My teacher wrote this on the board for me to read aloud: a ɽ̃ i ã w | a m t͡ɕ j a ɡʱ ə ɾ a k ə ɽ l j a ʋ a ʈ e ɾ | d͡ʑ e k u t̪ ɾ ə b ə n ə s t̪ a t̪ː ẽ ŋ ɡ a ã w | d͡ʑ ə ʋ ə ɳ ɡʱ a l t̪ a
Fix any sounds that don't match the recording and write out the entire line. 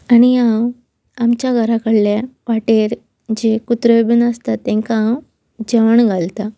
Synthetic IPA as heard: a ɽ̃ i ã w | a m t͡ɕ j a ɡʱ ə ɾ a k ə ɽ l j a ʋ a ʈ e ɾ | d͡ʑ e k u t̪ ɾ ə b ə n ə s t̪ a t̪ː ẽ ŋ k a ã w | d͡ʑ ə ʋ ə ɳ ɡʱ a l t̪ a